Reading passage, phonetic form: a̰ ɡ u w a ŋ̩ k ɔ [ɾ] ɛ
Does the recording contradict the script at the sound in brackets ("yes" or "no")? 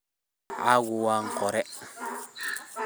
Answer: no